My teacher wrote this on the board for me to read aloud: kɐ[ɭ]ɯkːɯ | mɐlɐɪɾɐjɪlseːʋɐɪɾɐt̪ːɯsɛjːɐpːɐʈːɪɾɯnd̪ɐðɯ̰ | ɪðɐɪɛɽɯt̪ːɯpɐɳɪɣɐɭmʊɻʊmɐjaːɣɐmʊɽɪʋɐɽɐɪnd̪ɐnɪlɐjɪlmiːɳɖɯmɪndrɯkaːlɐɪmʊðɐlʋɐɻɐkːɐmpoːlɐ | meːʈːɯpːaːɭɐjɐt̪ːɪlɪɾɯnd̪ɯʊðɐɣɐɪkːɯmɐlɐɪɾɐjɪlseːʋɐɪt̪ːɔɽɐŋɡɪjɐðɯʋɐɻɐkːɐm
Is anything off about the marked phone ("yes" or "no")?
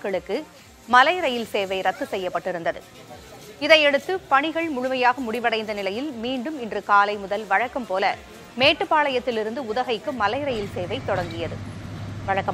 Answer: no